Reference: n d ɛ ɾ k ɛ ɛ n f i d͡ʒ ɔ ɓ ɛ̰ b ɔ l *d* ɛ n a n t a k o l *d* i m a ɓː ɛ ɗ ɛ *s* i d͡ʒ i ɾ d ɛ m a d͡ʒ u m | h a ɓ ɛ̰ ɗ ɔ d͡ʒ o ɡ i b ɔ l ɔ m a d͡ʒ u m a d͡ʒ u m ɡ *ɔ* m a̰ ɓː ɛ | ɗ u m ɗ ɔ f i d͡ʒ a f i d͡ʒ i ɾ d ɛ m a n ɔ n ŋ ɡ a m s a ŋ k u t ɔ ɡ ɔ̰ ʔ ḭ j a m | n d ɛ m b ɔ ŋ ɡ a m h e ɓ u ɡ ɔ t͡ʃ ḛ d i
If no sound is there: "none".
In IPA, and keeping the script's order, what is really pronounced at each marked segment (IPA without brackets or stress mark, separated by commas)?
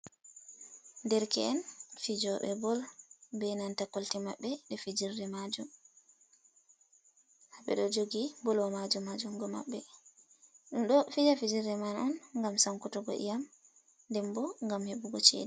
b, t, f, ɔ